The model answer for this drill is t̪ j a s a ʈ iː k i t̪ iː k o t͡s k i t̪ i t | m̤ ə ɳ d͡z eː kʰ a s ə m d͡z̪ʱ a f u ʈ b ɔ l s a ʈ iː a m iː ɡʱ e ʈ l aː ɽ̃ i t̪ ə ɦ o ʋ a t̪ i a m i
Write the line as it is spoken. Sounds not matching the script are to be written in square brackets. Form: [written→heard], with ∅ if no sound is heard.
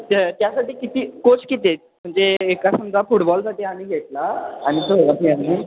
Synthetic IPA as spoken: t̪ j a s a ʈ iː k i t̪ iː k o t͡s k i t̪ [i→e] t | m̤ ə ɳ d͡z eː [kʰ→k] a s ə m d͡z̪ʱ a f u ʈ b ɔ l s a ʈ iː a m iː ɡʱ e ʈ l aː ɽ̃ i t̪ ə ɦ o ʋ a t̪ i a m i